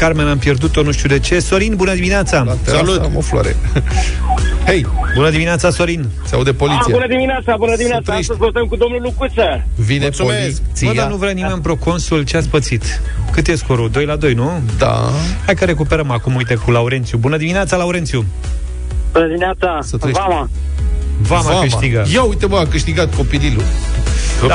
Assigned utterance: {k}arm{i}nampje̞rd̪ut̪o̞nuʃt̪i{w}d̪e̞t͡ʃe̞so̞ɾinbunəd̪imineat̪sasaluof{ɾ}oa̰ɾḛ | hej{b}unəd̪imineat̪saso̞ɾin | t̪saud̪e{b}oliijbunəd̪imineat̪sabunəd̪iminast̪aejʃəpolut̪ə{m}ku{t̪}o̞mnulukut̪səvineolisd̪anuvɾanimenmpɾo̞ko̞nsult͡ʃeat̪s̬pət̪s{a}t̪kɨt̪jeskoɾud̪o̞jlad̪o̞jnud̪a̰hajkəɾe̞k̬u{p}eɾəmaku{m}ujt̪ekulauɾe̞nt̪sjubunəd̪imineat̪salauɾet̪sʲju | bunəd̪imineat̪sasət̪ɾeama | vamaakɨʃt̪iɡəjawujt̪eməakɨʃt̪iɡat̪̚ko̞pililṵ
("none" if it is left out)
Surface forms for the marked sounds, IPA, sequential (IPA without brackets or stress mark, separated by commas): k, e, u, l, b, p, m, d̪, i, p, m